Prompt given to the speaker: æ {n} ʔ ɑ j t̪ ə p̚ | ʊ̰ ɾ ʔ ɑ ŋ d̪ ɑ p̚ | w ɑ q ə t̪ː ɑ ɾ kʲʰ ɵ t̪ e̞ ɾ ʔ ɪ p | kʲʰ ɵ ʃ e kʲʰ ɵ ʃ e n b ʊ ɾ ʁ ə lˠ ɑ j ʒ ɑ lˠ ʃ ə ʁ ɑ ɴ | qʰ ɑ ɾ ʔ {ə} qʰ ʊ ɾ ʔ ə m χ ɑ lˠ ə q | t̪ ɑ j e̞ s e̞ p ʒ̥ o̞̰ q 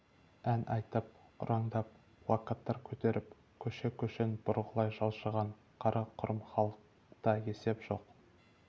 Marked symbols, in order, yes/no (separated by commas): yes, no